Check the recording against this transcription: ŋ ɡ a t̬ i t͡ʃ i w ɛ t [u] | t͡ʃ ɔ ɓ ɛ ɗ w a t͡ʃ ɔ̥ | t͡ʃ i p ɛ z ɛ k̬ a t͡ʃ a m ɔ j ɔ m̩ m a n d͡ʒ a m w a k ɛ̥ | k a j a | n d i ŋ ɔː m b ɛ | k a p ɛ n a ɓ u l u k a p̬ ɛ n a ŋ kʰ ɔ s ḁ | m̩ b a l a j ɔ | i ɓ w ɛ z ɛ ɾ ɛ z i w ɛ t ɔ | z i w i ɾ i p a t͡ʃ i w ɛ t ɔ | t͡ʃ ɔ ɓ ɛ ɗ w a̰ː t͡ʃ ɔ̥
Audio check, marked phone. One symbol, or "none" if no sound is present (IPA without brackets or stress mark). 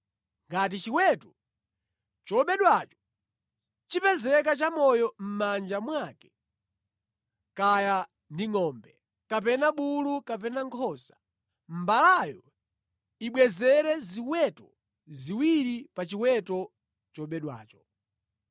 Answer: ɔ